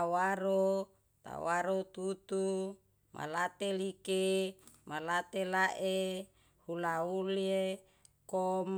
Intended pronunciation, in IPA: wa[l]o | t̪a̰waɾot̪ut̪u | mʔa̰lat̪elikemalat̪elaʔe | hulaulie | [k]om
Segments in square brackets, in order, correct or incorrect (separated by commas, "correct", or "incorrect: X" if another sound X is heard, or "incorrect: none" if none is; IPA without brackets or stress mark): incorrect: ɾ, correct